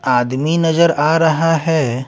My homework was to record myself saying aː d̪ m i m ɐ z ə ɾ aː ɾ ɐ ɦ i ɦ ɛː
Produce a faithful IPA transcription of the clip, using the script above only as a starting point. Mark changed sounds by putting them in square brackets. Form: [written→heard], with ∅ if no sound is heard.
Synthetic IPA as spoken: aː d̪ m i [m→n] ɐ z ə ɾ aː ɾ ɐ ɦ [i→a] ɦ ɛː